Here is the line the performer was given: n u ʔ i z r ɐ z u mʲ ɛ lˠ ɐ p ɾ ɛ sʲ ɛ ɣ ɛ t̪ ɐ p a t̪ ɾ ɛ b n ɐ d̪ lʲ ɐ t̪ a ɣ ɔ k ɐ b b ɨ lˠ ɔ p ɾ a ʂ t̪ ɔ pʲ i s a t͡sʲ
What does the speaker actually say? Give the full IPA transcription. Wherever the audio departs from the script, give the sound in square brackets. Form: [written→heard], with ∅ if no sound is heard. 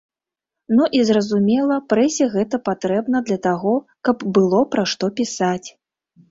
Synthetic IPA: n u ʔ i z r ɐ z u mʲ ɛ lˠ ɐ p ɾ ɛ sʲ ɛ ɣ ɛ t̪ ɐ p a t̪ ɾ ɛ b n ɐ d̪ lʲ ɐ t̪ a ɣ ɔ k ɐ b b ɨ lˠ ɔ p ɾ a ʂ t̪ ɔ pʲ i s a t͡sʲ